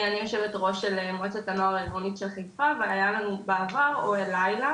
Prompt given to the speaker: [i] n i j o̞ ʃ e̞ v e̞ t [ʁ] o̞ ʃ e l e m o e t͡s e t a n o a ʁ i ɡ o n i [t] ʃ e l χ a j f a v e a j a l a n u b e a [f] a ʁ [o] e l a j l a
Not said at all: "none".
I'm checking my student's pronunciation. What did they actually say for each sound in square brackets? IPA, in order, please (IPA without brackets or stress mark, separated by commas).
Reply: a, ʁ, t, v, o